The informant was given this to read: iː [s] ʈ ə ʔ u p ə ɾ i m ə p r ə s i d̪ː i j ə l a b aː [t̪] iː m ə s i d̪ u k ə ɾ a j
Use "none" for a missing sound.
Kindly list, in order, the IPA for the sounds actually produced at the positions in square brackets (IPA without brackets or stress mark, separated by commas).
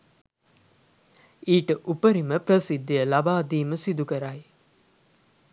none, d̪